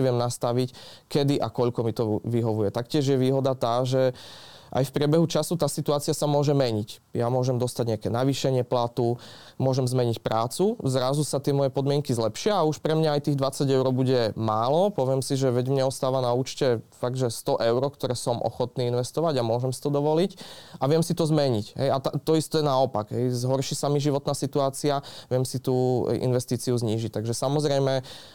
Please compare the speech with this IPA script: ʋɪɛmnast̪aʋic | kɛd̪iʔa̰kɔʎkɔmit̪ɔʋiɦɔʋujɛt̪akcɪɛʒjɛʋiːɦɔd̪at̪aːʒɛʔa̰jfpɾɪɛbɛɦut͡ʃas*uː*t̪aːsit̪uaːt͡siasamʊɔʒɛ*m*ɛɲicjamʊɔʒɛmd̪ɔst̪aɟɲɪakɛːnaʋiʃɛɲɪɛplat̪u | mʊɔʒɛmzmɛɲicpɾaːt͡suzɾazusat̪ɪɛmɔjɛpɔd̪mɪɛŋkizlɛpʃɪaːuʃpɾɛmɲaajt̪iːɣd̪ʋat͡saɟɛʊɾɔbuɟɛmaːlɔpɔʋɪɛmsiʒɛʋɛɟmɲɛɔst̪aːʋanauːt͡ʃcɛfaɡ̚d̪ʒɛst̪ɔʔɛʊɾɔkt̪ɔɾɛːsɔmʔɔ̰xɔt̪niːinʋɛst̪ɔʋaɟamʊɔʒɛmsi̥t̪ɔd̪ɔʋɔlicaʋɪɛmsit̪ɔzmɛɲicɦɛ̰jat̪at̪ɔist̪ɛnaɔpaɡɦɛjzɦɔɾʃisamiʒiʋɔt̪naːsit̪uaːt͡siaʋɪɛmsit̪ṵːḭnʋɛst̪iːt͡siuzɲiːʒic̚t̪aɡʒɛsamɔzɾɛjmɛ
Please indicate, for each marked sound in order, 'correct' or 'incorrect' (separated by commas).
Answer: incorrect, correct